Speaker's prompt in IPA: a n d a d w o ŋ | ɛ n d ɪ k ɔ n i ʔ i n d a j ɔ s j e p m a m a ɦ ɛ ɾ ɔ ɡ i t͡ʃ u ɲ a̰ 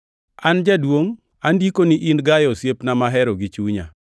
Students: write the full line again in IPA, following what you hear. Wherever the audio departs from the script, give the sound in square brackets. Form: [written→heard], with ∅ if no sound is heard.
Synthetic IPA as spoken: a n [d→d͡ʒ] a d w o ŋ | [ɛ→a] n d [ɪ→i] k [ɔ→o] n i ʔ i n [d→ɡ] a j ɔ s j e p [m→n] a m a ɦ ɛ ɾ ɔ ɡ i t͡ʃ u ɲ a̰